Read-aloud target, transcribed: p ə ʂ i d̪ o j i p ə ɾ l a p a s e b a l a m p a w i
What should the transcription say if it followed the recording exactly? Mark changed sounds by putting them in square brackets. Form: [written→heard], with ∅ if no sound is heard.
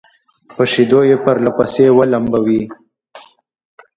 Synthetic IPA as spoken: p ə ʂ i d̪ o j [i→e] p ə ɾ l a p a s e [b→w] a l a m [p→b] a w i